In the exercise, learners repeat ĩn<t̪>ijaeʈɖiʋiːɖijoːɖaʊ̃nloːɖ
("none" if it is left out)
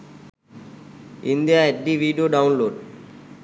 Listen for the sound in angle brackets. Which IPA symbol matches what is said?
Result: d̪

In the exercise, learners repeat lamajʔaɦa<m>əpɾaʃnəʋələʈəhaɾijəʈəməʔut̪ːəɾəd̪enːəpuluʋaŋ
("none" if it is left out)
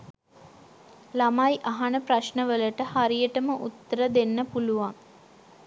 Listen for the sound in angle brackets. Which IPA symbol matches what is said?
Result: n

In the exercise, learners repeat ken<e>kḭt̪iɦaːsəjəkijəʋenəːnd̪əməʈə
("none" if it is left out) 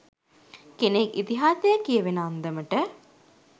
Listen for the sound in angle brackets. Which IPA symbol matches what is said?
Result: e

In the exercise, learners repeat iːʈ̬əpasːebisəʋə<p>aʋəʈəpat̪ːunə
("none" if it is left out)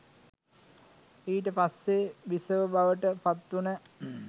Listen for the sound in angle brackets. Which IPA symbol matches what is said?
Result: b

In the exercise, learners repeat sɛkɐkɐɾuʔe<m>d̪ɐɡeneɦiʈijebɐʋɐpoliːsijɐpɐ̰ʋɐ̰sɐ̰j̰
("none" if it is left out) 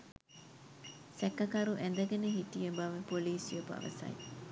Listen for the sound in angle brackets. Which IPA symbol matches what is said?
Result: n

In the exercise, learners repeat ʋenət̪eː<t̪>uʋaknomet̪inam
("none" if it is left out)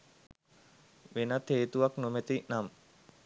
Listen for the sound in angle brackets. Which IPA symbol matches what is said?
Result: t̪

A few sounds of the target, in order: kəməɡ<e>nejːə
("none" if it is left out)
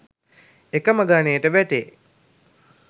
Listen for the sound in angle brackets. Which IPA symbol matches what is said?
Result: a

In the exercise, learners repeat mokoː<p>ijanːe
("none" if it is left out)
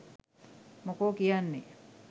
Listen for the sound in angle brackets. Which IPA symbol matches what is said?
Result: k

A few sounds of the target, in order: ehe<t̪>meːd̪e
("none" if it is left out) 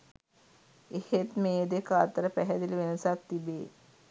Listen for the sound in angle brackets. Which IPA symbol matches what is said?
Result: t̪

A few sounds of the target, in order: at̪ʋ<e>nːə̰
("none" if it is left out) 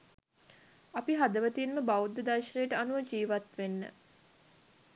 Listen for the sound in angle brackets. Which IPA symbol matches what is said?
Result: e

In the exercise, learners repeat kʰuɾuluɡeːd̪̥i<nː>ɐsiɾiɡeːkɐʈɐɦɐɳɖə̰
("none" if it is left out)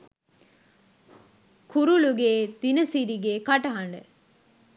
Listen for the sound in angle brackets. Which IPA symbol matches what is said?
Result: n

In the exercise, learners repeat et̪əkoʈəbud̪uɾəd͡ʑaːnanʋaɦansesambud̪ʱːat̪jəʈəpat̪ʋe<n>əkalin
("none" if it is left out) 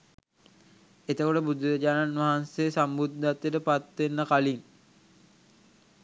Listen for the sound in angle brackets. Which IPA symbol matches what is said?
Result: nː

